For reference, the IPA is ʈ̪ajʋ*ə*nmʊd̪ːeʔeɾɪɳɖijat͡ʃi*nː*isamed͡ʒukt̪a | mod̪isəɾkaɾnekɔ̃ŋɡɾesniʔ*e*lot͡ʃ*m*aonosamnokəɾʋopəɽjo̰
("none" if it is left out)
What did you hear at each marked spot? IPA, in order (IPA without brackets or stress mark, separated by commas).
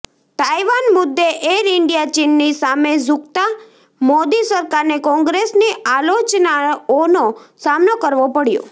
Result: a, nː, a, n